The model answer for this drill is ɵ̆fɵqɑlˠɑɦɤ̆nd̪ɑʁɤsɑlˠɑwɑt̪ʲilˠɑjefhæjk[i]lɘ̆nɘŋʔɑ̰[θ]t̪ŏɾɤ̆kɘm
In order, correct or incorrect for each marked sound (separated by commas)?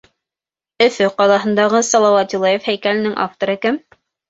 incorrect, incorrect